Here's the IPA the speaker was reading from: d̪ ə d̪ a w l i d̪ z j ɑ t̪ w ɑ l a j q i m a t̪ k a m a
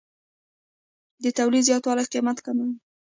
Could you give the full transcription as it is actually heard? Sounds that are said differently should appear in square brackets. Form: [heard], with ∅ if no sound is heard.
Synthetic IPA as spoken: d̪ ə [t̪] a w l i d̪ z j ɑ t̪ w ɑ l a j q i m a t̪ k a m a